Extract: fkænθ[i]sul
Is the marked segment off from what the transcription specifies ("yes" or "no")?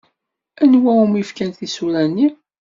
no